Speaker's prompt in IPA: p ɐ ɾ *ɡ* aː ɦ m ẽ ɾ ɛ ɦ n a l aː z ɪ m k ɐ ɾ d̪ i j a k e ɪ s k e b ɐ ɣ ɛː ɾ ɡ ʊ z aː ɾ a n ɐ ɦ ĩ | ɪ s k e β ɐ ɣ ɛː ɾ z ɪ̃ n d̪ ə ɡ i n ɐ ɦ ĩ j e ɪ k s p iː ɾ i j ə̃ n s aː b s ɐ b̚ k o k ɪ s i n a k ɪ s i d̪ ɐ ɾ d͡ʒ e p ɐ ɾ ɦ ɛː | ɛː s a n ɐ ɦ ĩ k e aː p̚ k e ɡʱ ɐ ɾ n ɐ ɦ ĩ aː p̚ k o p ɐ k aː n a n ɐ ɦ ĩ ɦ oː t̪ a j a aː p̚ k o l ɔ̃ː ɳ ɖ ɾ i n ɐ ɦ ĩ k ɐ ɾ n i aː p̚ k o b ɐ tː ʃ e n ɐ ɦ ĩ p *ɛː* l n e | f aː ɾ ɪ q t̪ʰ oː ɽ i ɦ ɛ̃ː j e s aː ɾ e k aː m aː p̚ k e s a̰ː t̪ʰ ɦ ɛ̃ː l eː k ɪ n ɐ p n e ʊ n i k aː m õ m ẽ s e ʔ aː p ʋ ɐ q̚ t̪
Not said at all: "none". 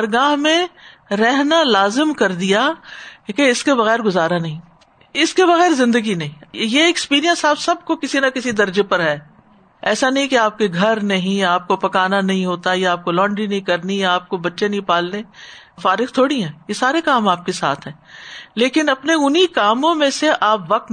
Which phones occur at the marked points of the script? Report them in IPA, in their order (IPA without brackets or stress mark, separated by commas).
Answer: ɡ, aː